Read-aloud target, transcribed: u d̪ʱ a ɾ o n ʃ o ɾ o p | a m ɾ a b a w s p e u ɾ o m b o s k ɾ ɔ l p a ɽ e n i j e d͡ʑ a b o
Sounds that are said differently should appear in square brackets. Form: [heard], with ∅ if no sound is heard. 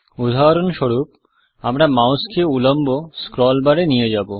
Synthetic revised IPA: u d̪ʱ a ɾ o n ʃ o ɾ [u] p | a m ɾ a [m] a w s [k] e u [l] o m b o s k ɾ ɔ l [b] a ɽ e n i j e d͡ʑ a b o